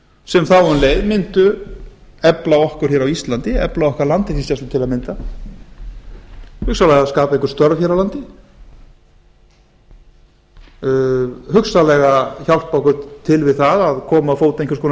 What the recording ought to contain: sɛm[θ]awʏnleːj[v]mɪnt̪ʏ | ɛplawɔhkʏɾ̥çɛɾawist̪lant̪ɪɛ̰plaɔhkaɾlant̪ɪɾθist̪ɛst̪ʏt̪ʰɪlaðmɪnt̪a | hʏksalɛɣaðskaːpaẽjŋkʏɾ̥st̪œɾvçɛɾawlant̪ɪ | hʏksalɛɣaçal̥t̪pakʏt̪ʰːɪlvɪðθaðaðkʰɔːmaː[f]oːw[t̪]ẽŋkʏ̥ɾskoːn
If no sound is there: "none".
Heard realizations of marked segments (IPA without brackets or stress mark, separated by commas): θ, ð, f, t̪